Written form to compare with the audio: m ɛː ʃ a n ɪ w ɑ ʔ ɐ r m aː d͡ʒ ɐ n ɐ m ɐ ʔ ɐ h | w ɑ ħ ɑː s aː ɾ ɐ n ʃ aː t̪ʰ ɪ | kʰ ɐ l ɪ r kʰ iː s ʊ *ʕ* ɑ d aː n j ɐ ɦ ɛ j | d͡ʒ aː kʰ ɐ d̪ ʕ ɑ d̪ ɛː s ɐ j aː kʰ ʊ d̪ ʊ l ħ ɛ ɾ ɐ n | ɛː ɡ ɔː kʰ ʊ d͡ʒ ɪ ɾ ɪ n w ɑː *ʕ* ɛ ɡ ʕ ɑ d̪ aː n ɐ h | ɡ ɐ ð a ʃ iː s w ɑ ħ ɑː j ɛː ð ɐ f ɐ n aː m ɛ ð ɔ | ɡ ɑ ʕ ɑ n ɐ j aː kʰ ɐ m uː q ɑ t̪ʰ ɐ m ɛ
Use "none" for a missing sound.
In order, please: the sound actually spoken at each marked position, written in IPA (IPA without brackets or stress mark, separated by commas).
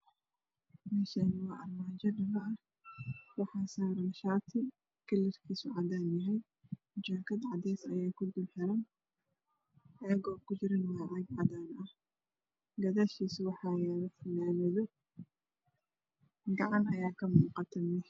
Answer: ʕ, ʕ